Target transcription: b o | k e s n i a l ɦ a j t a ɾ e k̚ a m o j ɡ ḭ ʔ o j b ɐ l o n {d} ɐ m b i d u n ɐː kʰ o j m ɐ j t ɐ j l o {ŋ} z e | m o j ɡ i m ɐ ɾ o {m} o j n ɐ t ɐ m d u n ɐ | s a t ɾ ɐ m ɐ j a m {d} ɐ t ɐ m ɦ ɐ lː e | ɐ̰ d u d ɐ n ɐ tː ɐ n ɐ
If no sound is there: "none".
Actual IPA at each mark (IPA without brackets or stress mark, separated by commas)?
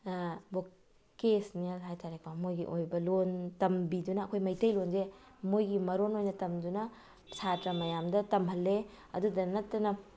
t, n, n, d